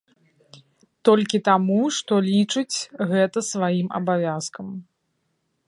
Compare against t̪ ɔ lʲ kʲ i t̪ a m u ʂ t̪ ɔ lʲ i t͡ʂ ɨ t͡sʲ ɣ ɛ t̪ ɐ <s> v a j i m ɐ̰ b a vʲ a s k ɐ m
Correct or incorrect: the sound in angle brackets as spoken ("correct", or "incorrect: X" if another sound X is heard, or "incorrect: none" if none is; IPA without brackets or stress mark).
correct